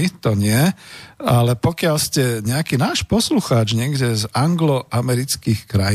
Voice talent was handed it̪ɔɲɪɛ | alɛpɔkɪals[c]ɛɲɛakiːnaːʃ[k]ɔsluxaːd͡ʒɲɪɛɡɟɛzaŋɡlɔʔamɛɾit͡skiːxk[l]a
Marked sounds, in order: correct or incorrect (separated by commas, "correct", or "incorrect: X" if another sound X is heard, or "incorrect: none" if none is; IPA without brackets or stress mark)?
correct, incorrect: p, incorrect: ɾ